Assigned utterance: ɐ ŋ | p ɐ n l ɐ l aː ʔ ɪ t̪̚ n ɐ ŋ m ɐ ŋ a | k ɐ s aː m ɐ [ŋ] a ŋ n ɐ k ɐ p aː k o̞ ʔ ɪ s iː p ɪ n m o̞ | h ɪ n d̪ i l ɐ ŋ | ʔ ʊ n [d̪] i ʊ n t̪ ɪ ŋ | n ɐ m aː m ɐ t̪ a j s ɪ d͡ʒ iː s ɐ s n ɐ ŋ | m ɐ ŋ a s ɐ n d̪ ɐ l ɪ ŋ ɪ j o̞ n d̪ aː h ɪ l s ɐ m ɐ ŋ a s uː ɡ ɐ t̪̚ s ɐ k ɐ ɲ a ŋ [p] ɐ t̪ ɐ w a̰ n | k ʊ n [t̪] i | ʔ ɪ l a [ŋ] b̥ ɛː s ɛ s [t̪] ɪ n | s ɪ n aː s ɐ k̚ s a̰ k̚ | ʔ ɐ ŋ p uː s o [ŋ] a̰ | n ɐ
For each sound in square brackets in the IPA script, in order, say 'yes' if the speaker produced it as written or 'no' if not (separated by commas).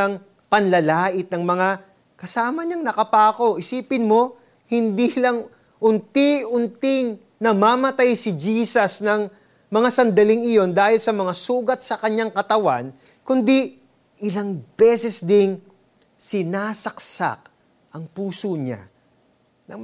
no, no, no, no, yes, no, no